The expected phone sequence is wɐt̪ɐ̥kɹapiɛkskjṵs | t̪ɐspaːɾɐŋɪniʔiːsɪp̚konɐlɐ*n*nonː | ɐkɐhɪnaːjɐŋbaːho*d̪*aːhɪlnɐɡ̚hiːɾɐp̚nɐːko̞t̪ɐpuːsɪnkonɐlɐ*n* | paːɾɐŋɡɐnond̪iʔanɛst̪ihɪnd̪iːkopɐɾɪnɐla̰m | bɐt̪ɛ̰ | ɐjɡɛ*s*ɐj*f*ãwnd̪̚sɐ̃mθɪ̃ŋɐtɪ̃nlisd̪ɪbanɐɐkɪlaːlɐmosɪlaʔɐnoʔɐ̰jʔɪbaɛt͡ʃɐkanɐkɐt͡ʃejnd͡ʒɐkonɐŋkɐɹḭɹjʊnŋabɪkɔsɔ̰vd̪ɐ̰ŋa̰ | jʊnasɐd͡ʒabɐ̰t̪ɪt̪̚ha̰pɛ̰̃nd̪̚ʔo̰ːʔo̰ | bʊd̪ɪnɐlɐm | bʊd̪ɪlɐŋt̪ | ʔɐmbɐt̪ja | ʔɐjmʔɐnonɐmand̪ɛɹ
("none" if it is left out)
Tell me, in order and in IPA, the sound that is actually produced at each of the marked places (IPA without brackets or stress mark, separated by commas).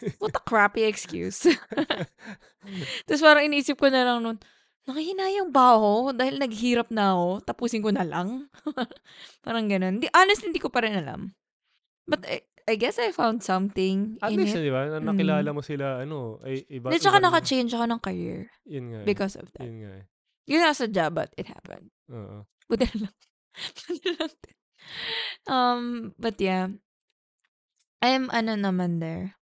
ŋ, d̪, ŋ, s, f